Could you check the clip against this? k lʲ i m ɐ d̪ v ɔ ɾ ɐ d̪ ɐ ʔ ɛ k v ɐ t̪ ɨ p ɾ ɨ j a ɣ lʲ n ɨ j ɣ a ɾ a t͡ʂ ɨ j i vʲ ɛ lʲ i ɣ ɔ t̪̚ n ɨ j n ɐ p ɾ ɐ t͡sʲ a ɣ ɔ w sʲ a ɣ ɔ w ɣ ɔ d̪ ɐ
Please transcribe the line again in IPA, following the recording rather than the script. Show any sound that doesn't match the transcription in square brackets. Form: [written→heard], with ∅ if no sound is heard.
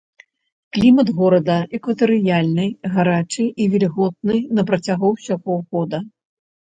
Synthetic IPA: k lʲ i m ɐ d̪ [v→ɣ] ɔ ɾ ɐ d̪ ɐ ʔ ɛ k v ɐ t̪ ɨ [p→∅] ɾ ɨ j a [ɣ→∅] lʲ n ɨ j ɣ a ɾ a t͡ʂ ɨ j i vʲ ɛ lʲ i ɣ ɔ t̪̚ n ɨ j n ɐ p ɾ ɐ t͡sʲ a ɣ ɔ w sʲ a ɣ ɔ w ɣ ɔ d̪ ɐ

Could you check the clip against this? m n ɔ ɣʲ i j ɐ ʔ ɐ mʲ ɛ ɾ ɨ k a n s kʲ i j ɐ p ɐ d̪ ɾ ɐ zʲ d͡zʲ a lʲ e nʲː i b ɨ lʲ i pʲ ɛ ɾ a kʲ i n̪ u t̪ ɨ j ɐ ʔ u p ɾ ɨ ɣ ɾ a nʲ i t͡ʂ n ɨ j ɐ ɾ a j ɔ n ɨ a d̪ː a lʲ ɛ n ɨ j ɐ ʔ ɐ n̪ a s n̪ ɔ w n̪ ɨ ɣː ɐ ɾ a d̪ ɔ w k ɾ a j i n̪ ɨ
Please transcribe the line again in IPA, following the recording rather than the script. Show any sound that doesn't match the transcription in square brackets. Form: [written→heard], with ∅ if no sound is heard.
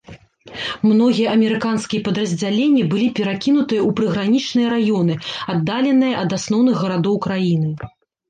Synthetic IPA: m n ɔ ɣʲ i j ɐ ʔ ɐ mʲ ɛ ɾ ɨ k a n s kʲ i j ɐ p ɐ d̪ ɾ ɐ zʲ d͡zʲ a lʲ e nʲː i b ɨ lʲ i pʲ ɛ ɾ a kʲ i n̪ u t̪ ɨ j ɐ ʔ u p ɾ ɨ ɣ ɾ a nʲ i t͡ʂ n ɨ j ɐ ɾ a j ɔ n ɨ a d̪ː a lʲ ɛ n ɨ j ɐ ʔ ɐ [n̪→d̪] a s n̪ ɔ w n̪ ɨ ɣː ɐ ɾ a d̪ ɔ w k ɾ a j i n̪ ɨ

